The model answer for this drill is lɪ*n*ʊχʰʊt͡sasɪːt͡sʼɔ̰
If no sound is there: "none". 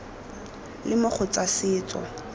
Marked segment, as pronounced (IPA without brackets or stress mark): m